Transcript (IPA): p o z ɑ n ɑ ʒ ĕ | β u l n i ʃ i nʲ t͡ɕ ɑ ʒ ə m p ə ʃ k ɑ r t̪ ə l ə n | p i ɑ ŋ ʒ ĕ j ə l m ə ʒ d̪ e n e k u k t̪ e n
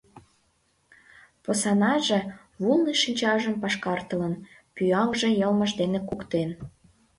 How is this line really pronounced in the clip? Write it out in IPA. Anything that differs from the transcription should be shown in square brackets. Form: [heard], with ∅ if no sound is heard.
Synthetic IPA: p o [s] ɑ n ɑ ʒ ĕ | β u l n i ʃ i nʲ t͡ɕ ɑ ʒ ə m p [ɑ] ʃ k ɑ r t̪ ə l ə n | p [y] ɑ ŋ ʒ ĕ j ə l m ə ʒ d̪ e n e k u k t̪ e n

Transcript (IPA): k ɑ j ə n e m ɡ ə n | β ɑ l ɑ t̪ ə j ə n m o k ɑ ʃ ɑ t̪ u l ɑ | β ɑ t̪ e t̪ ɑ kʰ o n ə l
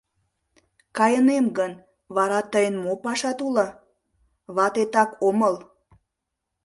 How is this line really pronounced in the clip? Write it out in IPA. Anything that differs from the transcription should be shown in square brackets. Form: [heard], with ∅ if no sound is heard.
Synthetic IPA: k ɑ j ə n e m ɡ ə n | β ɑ [ɾ] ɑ t̪ ə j ə n m o [p] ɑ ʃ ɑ t̪ u l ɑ | β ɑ t̪ e t̪ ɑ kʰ o [m] ə l

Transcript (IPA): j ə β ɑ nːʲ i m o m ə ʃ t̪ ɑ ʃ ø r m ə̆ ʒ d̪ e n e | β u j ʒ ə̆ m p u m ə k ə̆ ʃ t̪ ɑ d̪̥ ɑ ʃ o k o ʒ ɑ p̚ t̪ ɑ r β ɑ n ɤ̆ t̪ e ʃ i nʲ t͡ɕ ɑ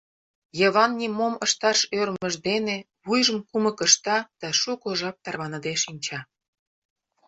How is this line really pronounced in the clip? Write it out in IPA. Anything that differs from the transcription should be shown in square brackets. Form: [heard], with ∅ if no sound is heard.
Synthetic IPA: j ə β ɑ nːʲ i m o m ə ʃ t̪ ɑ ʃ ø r m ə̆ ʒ d̪ e n e | β u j ʒ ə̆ m [k] u m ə k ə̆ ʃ t̪ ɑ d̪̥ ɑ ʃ [u] k o ʒ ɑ p̚ t̪ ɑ r β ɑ n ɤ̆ [d̪] e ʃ i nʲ t͡ɕ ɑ

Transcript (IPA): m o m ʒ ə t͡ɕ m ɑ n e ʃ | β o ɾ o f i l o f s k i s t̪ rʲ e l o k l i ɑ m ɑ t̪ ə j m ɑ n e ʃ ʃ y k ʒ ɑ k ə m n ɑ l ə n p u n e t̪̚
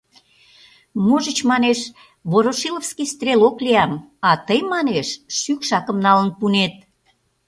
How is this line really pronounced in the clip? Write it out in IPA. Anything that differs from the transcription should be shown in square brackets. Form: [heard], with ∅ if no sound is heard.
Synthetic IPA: m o [∅] ʒ ə t͡ɕ m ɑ n e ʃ | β o ɾ o [ʃ] i l o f s k i s t̪ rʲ e l o k l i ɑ m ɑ t̪ ə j m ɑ n e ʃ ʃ y k [ʃ] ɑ k ə m n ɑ l ə n p u n e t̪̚

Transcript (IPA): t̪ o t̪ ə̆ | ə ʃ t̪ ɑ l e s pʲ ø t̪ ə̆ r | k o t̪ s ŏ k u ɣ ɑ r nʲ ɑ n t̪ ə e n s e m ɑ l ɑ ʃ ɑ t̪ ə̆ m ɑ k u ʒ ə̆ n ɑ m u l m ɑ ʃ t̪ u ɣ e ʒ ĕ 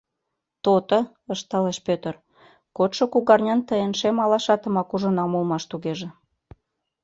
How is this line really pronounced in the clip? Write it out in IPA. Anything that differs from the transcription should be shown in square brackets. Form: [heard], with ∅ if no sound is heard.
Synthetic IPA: t̪ o t̪ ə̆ | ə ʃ t̪ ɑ l e [ʃ] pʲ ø t̪ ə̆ r | k o t̪ [ʃ] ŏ k u ɣ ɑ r nʲ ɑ n t̪ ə e n [ʃ] e m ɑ l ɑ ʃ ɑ t̪ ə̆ m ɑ k u ʒ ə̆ n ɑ m u l m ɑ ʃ t̪ u ɣ e ʒ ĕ

